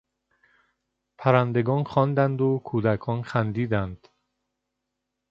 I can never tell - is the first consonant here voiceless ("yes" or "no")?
yes